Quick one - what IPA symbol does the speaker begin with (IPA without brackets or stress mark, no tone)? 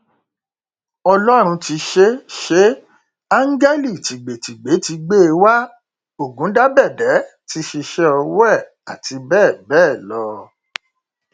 ɔ